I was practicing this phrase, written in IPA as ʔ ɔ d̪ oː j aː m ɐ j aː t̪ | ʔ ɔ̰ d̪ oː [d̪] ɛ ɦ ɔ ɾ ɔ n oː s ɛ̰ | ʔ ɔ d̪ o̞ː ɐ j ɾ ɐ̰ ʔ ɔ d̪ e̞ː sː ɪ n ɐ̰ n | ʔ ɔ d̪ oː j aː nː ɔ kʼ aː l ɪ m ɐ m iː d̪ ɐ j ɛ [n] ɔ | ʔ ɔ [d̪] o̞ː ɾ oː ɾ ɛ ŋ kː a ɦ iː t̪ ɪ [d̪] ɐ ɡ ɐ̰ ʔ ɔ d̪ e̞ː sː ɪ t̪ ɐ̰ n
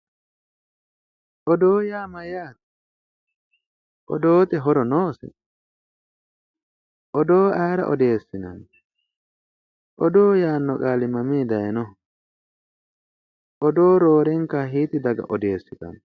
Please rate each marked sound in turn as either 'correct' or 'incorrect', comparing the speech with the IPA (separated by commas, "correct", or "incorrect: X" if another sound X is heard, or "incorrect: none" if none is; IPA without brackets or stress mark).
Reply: incorrect: t̪, correct, correct, correct